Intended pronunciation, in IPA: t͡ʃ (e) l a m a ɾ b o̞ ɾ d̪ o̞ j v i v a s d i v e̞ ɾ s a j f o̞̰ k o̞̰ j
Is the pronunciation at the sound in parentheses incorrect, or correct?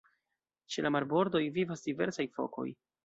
correct